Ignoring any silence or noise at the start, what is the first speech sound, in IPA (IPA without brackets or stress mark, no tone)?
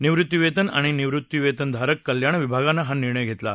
n